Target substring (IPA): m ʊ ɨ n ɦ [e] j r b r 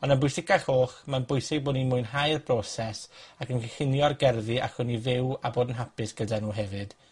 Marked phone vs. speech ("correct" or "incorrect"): incorrect